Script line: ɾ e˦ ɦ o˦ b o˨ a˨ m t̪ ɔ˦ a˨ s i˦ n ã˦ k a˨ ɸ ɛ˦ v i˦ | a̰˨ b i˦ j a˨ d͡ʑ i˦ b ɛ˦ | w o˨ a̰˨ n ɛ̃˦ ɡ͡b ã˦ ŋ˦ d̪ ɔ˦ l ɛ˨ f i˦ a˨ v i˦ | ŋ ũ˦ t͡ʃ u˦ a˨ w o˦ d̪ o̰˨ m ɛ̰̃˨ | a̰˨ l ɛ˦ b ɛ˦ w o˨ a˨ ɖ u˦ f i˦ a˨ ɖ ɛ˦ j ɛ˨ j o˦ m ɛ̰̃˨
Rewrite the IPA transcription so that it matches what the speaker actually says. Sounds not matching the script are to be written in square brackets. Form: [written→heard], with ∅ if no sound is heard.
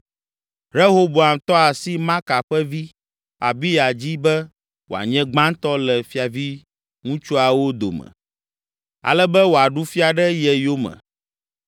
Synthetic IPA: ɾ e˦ ɦ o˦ b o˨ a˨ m t̪ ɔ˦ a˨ s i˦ [n→m] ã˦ k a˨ ɸ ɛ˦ v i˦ | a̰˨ b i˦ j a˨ d͡ʑ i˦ b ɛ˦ | w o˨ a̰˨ [n→ɲ] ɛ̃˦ ɡ͡b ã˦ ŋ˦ [d̪→t̪] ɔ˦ l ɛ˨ f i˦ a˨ v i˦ | ŋ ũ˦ t͡ʃ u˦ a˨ w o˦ d̪ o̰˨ m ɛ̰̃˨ | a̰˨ l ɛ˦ b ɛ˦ w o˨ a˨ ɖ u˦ f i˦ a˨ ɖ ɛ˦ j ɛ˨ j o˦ m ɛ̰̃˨